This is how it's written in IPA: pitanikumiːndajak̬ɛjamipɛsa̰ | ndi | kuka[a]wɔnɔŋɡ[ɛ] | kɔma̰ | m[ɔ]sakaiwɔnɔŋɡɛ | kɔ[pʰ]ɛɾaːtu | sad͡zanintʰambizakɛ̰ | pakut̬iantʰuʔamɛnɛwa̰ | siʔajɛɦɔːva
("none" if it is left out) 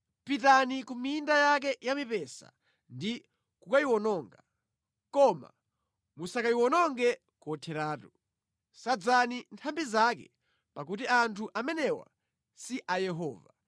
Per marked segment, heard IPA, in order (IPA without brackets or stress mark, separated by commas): i, a, u, tʰ